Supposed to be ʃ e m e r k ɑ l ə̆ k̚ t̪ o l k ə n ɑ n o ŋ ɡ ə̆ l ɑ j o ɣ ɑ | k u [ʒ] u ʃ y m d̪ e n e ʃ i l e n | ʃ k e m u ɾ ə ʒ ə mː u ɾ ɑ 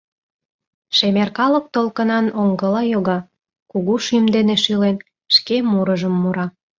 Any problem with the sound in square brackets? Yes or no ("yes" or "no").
yes